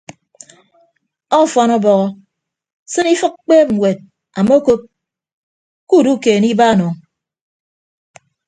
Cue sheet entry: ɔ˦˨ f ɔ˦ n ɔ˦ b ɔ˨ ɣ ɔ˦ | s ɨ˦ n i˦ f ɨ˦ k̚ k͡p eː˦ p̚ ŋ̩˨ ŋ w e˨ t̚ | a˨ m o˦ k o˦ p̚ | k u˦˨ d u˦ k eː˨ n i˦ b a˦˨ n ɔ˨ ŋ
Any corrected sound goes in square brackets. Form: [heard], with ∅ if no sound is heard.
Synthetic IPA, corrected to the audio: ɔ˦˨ f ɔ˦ n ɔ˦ b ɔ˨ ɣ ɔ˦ | s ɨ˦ n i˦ f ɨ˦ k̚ k͡p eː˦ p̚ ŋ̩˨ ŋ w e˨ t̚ | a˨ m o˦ k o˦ p̚ | k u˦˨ d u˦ k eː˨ n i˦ b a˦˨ n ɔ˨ ŋ